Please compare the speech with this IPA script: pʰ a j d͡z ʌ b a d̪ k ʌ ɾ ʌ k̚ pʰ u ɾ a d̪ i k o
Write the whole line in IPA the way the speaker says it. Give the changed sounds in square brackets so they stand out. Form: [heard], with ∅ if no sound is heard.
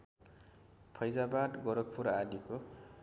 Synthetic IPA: pʰ [ʌ] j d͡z [a] b a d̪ [ɡ] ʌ ɾ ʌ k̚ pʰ u ɾ a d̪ i k o

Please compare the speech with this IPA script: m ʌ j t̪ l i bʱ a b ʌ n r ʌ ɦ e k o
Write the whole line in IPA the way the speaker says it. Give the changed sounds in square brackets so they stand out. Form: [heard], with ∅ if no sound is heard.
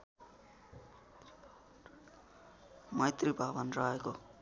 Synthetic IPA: m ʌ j t̪ [r] i bʱ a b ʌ n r ʌ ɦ e k o

